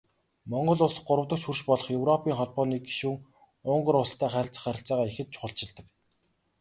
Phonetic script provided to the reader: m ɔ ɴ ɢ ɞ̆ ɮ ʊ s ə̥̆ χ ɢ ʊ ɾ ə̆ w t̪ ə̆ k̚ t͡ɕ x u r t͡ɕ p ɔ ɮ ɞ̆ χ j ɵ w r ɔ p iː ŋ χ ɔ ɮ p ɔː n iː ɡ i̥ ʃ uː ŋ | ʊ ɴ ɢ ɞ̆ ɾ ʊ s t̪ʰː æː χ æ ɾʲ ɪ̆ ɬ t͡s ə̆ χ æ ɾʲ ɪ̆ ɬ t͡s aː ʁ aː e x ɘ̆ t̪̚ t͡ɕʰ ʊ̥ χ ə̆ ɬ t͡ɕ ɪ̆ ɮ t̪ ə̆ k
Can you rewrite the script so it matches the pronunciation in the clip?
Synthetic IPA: m ɔ ɴ ɢ ɞ̆ ɮ ʊ s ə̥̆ χ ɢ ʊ ɾ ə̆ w t̪ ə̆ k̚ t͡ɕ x u r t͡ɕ p ɔ ɮ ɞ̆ χ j ɵ w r ɔ p iː ŋ χ ɔ ɮ p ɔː n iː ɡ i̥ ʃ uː ŋ | ʊ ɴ ɢ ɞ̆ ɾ ʊ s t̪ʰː æː χ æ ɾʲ ɪ̆ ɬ t͡s ə̆ χ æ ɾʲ ɪ̆ ɬ t͡s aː ʁ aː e x ɘ̆ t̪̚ t͡ɕʰ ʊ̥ χ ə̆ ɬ t͡ɕ ɪ̆ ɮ t̪ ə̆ k